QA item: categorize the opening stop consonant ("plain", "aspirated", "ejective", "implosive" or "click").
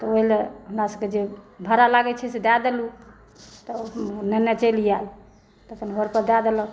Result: plain